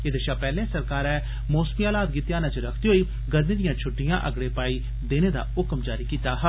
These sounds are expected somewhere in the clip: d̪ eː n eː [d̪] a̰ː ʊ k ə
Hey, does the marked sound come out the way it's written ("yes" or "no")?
yes